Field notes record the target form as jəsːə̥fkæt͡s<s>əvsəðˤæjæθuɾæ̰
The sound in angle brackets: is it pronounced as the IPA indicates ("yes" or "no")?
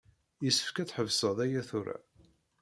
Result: no